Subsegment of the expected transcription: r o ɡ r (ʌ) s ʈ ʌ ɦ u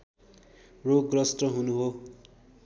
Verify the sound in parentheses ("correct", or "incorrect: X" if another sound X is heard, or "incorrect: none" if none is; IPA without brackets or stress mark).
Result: correct